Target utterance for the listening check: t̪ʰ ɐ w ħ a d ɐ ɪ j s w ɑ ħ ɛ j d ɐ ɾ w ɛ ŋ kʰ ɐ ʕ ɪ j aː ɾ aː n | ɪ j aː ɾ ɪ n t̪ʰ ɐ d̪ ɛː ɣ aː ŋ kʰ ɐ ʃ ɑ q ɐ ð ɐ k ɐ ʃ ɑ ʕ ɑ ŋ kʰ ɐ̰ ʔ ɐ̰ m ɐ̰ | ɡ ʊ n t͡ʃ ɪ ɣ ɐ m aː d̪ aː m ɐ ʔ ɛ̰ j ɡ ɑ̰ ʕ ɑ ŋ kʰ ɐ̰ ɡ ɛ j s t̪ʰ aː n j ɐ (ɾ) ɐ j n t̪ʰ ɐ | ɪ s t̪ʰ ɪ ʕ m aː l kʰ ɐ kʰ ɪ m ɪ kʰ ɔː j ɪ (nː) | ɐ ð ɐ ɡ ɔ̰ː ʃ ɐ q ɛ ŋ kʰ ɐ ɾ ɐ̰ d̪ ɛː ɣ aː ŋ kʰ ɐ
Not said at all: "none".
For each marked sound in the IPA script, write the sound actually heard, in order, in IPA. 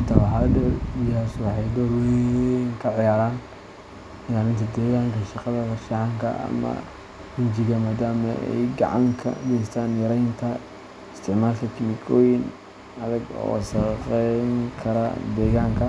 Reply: ɾ, n

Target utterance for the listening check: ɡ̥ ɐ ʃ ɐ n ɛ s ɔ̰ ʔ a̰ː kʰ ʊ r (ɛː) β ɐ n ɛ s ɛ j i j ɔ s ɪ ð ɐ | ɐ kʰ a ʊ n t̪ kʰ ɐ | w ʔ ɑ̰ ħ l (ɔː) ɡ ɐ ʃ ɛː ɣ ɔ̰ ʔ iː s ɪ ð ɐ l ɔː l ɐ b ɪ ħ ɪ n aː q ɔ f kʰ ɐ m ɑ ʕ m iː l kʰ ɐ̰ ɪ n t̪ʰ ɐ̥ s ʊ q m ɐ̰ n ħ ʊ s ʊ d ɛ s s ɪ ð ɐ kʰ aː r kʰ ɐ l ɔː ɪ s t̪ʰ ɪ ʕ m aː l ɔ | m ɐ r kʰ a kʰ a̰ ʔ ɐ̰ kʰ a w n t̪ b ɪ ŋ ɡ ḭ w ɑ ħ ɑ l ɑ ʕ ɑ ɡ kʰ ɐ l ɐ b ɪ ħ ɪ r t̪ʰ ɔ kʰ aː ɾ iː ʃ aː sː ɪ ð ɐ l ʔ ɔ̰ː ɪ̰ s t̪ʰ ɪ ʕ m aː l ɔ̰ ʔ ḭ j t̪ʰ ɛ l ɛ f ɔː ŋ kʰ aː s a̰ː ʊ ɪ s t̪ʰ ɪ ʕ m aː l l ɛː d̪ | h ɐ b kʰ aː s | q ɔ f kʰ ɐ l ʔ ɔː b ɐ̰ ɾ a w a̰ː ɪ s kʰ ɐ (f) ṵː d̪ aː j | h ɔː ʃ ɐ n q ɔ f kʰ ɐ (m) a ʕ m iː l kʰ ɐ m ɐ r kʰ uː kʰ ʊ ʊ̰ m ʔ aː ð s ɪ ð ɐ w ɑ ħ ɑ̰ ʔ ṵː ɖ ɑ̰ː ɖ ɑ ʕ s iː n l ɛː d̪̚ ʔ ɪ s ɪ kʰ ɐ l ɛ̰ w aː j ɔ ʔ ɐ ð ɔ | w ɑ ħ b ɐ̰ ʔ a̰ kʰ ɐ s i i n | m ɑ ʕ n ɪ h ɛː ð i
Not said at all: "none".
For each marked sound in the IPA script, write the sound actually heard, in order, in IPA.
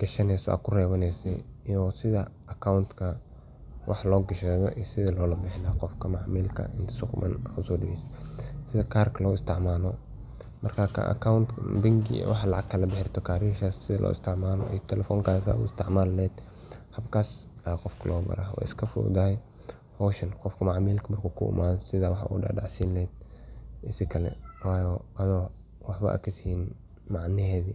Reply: ɛː, ɔː, f, m

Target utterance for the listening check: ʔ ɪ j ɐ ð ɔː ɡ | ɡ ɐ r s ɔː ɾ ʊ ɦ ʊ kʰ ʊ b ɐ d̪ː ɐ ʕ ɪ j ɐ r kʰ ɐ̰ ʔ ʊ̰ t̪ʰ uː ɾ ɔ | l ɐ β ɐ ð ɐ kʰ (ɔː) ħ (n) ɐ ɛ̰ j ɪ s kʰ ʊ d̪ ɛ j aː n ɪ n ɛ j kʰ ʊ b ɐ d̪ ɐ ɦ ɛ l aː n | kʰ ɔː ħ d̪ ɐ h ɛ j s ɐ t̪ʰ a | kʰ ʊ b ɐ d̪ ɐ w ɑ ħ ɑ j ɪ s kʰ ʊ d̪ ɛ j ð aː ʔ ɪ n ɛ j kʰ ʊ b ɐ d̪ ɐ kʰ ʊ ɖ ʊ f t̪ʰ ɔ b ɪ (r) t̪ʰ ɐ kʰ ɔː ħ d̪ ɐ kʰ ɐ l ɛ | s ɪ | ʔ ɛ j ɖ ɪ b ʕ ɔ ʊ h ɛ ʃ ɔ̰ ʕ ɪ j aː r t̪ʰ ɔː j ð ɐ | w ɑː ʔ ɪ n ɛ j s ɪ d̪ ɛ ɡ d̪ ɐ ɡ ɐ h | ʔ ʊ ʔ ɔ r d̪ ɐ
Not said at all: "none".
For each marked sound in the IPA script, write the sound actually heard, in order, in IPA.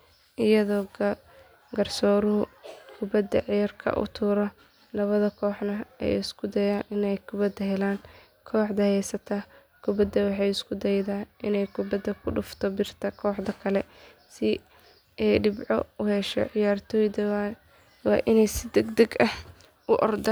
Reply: ɔː, n, r

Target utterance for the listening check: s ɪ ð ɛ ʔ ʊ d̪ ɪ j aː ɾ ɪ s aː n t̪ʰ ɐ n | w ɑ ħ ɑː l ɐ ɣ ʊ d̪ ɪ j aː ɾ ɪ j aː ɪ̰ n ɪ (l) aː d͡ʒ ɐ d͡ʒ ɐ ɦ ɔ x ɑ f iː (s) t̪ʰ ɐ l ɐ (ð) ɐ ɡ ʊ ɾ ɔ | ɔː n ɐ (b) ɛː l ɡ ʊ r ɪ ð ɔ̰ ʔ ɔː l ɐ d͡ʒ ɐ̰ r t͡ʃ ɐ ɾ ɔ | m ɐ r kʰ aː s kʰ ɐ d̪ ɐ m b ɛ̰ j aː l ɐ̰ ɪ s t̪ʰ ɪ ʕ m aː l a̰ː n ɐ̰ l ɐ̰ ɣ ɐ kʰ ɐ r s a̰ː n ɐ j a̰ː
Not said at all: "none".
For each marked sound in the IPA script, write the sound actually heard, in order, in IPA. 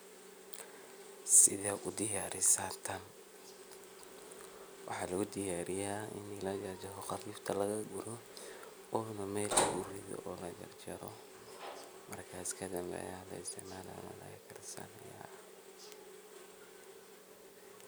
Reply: l, f, ɣ, m

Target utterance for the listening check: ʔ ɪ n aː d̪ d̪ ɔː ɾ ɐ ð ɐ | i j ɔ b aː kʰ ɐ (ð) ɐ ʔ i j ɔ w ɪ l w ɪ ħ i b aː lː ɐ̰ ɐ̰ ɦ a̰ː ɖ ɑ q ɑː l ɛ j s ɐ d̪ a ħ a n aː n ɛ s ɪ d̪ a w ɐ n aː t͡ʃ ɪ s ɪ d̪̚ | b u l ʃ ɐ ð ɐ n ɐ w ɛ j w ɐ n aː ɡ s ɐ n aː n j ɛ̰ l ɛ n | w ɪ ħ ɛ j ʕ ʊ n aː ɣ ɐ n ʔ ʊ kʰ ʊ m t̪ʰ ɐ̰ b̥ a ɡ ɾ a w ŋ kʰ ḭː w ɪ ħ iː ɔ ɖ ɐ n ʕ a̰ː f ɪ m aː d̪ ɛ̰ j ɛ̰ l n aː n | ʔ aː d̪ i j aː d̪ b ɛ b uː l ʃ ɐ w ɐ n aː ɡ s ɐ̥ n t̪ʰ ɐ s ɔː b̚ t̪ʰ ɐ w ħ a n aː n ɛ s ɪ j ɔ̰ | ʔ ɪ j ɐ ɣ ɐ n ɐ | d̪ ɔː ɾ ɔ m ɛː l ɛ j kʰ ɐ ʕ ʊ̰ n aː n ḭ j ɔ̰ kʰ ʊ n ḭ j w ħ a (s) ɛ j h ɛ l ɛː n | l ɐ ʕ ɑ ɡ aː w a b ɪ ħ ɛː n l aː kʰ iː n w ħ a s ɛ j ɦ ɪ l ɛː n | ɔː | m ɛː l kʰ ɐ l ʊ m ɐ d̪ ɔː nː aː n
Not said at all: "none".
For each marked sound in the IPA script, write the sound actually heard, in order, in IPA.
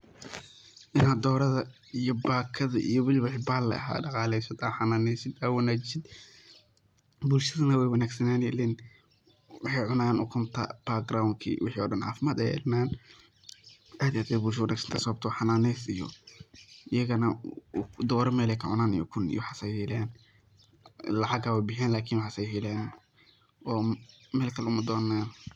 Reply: ð, s

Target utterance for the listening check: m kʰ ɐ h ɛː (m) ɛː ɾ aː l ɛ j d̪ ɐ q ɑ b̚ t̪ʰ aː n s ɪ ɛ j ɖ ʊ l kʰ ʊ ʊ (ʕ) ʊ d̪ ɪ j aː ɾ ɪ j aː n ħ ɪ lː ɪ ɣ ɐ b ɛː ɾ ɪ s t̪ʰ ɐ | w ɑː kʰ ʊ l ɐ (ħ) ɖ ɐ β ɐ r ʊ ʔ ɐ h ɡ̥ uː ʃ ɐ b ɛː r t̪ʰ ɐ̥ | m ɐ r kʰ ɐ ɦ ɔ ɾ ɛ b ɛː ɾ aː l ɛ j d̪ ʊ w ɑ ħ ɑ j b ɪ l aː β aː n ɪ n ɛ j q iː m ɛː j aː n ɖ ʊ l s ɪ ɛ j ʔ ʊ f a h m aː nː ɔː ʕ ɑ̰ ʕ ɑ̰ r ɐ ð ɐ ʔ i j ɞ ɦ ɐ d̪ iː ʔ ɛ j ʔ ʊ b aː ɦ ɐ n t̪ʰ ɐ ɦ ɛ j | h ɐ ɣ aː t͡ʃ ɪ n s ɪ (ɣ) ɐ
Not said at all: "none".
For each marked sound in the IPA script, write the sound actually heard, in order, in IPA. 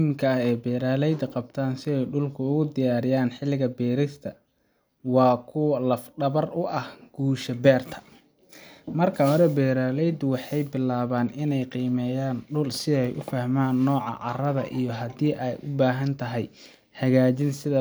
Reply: b, ɣ, f, ð

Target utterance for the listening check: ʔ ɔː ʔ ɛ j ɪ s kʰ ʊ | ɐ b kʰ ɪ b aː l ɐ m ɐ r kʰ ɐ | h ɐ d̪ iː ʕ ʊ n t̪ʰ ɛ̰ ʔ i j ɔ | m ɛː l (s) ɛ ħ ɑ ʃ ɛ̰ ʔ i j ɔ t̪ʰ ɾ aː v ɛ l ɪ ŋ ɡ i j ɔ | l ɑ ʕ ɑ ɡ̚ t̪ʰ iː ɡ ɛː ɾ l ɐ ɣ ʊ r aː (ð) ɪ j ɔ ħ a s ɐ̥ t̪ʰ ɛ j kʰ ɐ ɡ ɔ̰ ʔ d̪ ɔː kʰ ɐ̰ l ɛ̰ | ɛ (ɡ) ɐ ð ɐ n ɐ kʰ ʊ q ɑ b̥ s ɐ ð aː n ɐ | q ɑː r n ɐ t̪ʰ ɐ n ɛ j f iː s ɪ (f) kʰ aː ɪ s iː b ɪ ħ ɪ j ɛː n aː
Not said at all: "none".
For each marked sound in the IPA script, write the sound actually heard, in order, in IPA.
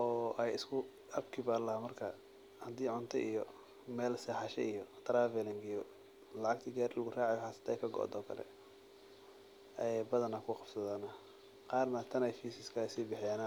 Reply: s, ʕ, b, s

